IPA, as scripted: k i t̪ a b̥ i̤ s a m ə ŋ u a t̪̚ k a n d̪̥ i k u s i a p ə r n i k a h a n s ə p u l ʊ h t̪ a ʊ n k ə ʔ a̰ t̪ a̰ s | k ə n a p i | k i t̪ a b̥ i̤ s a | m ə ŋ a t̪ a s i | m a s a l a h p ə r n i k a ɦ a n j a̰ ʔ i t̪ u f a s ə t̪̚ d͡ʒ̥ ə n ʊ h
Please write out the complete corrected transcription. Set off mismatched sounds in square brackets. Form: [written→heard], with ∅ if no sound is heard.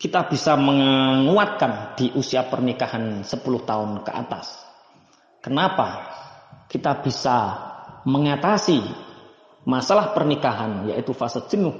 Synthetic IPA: k i t̪ a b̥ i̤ s a m ə ŋ u a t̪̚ k a n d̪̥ i [k→ʔ] u s i a p ə r n i k a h a n s ə p u l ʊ h t̪ a ʊ n k ə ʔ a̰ t̪ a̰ s | k ə n a p [i→a] | k i t̪ a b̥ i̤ s a | m ə ŋ a t̪ a s i | m a s a l a h p ə r n i k a ɦ a n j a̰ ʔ i t̪ u f a s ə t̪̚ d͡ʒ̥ ə n ʊ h